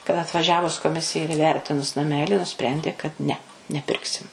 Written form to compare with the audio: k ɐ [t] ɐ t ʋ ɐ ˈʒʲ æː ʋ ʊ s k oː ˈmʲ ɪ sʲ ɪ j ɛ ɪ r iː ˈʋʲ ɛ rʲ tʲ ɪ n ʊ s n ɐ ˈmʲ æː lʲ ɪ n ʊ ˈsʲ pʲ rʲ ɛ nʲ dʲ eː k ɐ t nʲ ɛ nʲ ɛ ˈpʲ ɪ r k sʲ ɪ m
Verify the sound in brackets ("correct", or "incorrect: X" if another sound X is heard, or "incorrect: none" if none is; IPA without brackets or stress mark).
correct